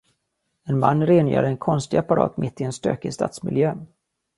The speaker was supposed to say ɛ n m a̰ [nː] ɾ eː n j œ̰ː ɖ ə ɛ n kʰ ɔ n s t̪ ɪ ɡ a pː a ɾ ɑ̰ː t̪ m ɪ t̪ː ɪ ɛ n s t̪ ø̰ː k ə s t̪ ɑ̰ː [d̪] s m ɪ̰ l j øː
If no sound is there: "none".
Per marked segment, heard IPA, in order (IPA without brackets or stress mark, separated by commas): nː, t̪